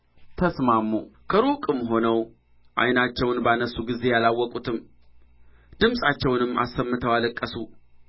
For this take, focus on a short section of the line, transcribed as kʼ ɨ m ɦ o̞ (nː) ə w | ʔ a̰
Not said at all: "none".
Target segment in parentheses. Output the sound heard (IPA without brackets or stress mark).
n